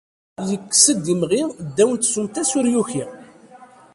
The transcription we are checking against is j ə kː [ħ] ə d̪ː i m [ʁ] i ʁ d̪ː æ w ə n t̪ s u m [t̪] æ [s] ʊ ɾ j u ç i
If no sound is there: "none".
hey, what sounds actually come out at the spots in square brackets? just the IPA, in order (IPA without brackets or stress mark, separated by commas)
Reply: s, ʁ, t̪, s